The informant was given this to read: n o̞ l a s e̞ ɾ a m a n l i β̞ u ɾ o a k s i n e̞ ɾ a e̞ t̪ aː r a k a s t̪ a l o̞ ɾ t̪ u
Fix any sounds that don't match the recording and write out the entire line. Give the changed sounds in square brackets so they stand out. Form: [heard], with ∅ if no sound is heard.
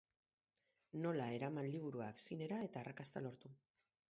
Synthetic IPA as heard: n o̞ l a [∅] e̞ ɾ a m a n l i β̞ u ɾ [u] a k s i n e̞ ɾ a e̞ t̪ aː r a k a s t̪ a l o̞ ɾ t̪ u